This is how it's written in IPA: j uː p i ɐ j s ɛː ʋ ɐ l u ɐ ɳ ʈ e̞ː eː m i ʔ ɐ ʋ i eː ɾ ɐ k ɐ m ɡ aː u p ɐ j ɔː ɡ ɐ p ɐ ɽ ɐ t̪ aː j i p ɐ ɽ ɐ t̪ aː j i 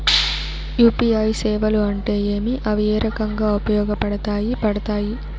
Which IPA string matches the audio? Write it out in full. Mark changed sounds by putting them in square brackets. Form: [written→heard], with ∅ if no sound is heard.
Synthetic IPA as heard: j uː p i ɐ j s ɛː ʋ ɐ l u ɐ ɳ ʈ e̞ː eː m i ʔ ɐ ʋ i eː ɾ ɐ k ɐ [m→ŋ] ɡ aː u p ɐ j ɔː ɡ ɐ p ɐ ɽ ɐ t̪ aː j i p ɐ ɽ ɐ t̪ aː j i